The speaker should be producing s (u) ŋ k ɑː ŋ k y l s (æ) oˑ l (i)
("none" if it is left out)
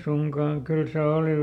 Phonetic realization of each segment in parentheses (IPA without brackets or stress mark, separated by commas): u, e, i